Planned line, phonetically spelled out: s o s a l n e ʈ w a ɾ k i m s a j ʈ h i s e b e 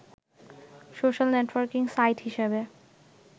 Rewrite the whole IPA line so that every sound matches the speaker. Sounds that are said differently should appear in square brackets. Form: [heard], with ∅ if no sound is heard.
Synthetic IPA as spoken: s o [ʃ] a l n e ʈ w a ɾ k i [ŋ] s a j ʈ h i [ʃ] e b e